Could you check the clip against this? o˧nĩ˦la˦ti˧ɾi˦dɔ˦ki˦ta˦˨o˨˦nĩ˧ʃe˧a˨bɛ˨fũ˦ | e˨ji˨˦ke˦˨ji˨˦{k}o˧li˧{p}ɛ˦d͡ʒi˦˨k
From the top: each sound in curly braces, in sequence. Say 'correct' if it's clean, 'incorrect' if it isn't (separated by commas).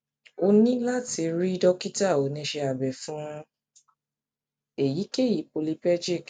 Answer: incorrect, correct